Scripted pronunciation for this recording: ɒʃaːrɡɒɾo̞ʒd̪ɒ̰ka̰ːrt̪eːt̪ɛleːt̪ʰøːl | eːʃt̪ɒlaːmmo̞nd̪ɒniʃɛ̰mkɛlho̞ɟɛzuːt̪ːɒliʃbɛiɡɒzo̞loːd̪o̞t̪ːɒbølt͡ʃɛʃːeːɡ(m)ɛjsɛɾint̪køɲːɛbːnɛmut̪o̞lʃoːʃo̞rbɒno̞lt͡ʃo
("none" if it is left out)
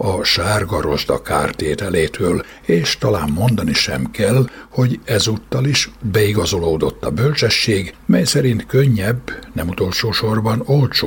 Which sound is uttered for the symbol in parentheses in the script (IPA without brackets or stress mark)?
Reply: m